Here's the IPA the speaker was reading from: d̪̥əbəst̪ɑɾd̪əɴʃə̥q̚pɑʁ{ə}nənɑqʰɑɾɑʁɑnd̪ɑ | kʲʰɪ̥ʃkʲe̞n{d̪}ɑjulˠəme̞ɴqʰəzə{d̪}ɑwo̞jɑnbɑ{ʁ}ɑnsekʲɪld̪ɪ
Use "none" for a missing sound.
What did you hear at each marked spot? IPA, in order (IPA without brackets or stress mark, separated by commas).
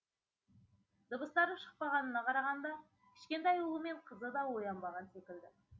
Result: ɑ, t̪, d̪, ʁ